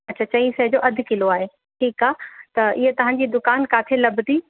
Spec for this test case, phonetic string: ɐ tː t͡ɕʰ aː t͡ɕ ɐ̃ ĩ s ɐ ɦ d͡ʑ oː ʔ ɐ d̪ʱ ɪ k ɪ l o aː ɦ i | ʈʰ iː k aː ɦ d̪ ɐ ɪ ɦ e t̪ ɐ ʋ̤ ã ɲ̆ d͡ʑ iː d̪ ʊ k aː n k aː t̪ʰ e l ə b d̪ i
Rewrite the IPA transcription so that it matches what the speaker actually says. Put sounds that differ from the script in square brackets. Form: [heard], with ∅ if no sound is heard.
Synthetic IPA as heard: ɐ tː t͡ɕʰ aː t͡ɕ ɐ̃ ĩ s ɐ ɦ d͡ʑ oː ʔ ɐ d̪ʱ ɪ k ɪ l o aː ɦ [e] | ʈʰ iː k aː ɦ [t̪] ɐ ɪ ɦ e t̪ ɐ ʋ̤ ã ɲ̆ d͡ʑ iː d̪ ʊ k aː n k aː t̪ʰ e l [ɐ] b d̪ i